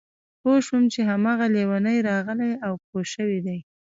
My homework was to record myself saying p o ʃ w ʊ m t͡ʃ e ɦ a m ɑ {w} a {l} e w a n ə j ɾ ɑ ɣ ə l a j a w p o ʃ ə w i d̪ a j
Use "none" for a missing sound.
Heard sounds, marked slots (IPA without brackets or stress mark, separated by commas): ɣ, l